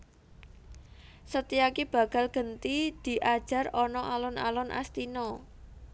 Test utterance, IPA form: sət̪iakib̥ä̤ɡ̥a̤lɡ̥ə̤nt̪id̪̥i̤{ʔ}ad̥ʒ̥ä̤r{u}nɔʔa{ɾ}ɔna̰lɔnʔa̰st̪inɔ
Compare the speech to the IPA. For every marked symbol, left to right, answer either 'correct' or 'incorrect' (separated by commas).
correct, incorrect, incorrect